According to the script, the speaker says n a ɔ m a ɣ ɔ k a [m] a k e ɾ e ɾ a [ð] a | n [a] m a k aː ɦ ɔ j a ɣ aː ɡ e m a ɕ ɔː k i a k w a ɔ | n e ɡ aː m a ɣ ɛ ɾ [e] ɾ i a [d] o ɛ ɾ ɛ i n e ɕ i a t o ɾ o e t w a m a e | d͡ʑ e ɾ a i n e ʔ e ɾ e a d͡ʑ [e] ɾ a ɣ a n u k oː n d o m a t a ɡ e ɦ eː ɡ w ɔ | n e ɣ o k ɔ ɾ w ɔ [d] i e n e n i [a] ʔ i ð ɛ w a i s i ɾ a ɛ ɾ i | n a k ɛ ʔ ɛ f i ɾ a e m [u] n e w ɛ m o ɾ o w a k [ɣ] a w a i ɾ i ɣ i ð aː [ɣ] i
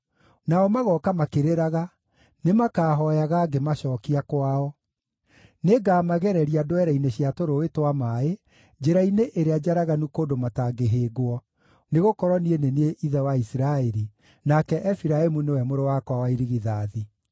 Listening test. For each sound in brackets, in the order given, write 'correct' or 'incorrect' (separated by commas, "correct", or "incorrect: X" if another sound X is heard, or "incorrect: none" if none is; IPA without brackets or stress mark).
correct, incorrect: ɣ, incorrect: e, incorrect: ɛ, correct, incorrect: a, incorrect: n, incorrect: e, correct, incorrect: w, incorrect: ð